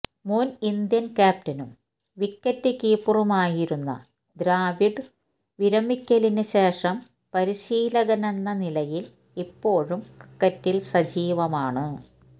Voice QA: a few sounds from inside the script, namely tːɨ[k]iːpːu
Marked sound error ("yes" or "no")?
no